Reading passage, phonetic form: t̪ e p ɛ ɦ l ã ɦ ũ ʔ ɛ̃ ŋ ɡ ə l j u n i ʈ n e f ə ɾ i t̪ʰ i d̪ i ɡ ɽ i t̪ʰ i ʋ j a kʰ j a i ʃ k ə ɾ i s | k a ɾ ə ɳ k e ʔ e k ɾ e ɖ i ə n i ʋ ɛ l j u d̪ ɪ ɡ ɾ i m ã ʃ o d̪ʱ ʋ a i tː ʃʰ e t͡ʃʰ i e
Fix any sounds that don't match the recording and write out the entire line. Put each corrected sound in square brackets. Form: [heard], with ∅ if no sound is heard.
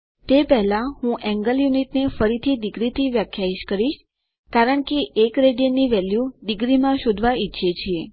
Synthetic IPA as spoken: t̪ e p ɛ ɦ l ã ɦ ũ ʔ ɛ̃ ŋ ɡ ə l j u n i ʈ n e f ə ɾ i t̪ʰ i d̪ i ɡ [ɾ] i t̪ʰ i ʋ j a kʰ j a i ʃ k ə ɾ i [ʃ] | k a ɾ ə ɳ k e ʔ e k ɾ e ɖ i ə n i ʋ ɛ l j u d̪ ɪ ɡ ɾ i m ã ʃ o d̪ʱ ʋ a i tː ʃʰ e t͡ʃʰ i e